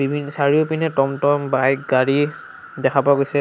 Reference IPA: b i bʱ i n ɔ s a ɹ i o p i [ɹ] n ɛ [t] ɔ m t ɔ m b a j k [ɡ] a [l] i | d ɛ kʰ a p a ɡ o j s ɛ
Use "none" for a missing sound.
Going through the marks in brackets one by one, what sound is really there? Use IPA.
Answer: none, t, ɡ, ɹ

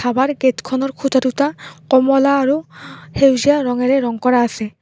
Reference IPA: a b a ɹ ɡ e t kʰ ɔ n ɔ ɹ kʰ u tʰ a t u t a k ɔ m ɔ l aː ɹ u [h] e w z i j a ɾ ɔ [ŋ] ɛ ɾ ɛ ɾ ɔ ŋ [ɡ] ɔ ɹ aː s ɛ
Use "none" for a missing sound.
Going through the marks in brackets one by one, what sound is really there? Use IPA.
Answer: h, ŋ, k

